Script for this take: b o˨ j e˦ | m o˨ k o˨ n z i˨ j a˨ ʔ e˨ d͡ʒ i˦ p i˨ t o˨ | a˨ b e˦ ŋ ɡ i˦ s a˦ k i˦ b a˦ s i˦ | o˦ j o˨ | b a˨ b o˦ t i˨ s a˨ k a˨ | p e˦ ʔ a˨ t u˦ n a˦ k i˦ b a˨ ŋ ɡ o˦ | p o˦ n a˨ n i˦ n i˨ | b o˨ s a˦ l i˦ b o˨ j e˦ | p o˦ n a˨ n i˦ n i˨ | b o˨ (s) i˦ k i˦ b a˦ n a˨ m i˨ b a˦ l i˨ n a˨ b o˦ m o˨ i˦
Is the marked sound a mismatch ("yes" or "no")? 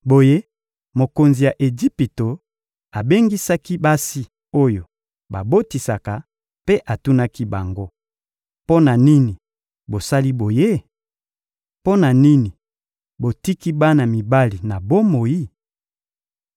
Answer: yes